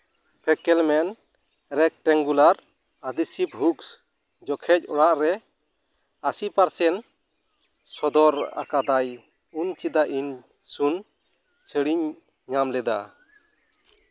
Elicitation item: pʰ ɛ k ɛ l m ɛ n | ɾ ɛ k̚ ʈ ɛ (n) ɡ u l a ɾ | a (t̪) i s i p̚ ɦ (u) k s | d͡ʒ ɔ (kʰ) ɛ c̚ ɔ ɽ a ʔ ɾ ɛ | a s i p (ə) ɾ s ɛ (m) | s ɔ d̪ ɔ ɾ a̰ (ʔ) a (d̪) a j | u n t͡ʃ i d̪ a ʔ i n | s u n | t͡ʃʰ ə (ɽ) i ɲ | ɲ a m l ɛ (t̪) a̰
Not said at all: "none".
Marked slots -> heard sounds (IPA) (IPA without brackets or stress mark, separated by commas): ŋ, d̪, u, kʰ, a, n, k, d̪, ɽ, d̪